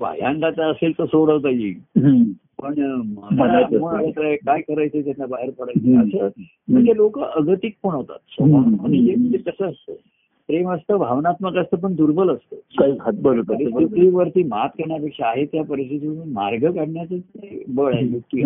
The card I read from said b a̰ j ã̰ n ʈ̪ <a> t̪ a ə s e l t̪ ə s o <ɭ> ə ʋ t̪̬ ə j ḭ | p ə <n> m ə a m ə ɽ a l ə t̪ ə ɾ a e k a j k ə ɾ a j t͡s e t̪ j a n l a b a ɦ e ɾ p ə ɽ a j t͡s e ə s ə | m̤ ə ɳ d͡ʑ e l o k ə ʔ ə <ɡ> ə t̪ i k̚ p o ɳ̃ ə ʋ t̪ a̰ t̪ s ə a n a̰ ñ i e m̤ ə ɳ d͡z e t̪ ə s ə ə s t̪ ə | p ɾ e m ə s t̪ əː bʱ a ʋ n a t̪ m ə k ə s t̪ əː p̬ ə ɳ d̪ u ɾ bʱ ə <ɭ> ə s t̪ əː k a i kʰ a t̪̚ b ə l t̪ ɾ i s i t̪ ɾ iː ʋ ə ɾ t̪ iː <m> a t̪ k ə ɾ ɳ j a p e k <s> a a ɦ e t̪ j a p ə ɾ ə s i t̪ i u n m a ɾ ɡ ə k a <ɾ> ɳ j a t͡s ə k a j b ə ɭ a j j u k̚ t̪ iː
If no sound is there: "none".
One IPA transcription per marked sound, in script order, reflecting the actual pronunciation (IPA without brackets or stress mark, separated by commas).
a, ɽ, ɳ, ɡ, l, m, ʂ, ɽ